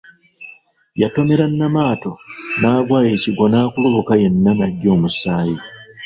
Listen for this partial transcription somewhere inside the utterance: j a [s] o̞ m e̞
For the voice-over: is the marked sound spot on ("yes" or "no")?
no